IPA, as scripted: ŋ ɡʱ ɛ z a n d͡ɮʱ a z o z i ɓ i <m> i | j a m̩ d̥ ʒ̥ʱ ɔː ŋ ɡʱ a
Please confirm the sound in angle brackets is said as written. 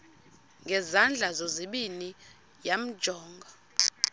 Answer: no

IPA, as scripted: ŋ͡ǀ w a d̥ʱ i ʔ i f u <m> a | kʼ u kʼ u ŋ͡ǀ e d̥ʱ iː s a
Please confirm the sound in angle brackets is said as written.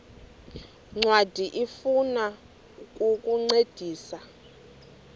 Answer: no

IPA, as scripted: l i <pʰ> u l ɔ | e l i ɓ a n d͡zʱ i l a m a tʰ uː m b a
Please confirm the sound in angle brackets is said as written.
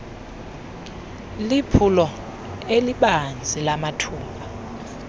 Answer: yes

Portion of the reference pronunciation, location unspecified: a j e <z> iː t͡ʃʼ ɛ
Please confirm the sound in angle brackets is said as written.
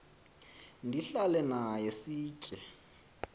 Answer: no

